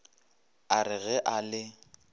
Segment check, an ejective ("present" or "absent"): absent